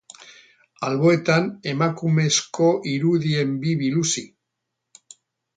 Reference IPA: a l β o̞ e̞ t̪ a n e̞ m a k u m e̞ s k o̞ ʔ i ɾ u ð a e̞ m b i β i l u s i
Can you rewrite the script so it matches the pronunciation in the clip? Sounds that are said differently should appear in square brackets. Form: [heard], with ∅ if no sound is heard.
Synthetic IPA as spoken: a l β o̞ e̞ t̪ a n e̞ m a k u m e̞ s k o̞ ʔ i ɾ u ð [i] e̞ m b i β i l u s i